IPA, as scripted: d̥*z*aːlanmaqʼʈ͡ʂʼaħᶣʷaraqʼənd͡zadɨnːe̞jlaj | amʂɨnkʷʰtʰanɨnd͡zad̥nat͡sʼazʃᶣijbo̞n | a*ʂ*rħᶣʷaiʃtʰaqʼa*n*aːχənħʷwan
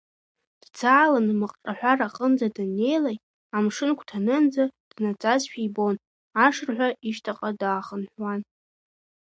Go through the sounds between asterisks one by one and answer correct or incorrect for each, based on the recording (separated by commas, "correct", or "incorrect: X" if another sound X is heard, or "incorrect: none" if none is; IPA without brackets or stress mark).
incorrect: d͡z, correct, incorrect: d